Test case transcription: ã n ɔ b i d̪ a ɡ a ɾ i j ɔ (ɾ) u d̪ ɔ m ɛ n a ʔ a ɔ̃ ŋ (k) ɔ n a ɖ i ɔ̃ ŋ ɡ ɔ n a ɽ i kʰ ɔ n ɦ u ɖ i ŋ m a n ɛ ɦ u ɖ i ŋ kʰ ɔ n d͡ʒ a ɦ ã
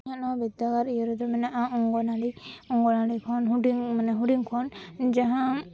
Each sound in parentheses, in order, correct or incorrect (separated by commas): correct, incorrect